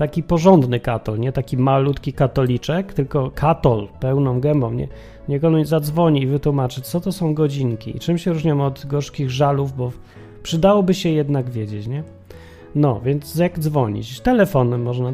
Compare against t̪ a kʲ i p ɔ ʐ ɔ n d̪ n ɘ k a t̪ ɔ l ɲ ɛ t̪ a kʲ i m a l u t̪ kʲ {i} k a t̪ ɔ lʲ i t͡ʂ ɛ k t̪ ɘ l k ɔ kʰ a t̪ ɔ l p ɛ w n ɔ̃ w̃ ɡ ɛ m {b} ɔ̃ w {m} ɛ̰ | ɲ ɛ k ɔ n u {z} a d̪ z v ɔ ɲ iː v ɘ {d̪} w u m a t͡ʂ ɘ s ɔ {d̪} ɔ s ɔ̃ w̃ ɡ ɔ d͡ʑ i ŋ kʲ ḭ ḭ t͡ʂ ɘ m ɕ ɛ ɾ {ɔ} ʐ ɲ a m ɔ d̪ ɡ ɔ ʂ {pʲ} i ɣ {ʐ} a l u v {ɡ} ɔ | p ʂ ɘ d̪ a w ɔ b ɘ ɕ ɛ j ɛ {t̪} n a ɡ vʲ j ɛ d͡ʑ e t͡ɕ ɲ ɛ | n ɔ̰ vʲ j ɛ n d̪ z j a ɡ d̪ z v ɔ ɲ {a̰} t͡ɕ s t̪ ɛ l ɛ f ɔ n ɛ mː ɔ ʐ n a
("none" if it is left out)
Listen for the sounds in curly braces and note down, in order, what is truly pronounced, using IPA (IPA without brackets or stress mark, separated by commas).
i, b, ɲ, z, t̪, t̪, u, kʲ, ʐ, b, d̪, ḭ